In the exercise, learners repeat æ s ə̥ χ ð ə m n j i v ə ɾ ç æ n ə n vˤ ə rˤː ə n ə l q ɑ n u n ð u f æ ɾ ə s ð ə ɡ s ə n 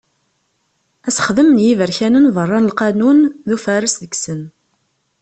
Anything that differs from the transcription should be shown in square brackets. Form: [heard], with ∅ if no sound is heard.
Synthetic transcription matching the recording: æ s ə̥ χ ð ə m n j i v ə ɾ ç æ n ə n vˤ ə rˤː [ɑ] n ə l q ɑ n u n ð u f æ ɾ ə s ð ə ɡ s ə n